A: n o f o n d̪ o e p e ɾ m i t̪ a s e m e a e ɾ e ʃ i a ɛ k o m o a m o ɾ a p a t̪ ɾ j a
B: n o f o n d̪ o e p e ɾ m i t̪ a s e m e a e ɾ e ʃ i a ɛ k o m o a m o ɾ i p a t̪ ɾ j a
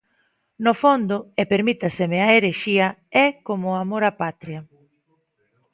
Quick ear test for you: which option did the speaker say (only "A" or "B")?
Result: A